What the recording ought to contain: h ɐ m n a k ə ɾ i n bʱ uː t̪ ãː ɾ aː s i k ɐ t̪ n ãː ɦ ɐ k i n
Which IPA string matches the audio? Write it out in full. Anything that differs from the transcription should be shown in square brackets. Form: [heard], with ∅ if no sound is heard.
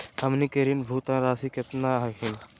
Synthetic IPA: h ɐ m n [i] k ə ɾ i n bʱ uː t̪ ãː ɾ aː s i k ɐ t̪ n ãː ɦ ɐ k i n